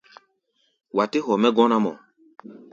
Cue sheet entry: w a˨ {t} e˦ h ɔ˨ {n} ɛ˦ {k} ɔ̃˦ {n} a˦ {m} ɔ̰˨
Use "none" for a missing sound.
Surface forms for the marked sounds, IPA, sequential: t, m, ɡ, n, m

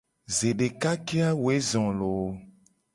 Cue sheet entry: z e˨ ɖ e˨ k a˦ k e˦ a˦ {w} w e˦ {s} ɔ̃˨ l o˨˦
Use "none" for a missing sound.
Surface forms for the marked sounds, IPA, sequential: w, z

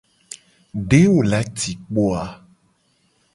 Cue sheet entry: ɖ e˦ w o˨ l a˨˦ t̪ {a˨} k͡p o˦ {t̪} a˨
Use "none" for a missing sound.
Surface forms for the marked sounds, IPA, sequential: i˨, none

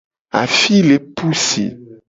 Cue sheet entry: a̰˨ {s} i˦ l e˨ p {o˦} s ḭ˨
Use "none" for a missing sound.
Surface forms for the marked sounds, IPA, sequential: f, u˦

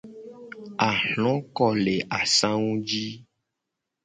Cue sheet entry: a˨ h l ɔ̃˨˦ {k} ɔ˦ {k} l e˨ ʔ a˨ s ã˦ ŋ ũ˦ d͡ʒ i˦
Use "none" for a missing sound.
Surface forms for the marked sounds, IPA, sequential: k, none

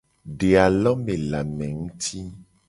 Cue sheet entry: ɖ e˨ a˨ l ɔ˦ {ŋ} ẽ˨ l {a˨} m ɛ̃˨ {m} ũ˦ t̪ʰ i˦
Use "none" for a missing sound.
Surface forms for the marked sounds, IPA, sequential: m, a˨, ŋ

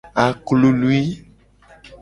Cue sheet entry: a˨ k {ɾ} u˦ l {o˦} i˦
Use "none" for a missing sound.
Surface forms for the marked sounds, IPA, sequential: l, u˦

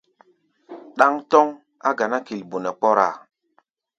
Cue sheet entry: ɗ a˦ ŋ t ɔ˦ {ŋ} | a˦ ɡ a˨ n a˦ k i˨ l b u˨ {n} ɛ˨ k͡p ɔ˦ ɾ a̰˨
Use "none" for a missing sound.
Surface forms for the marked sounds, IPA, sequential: ŋ, n

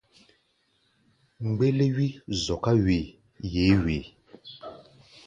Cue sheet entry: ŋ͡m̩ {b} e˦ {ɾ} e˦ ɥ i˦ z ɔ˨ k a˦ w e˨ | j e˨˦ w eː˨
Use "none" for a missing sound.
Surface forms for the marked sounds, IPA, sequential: ɡ͡b, l

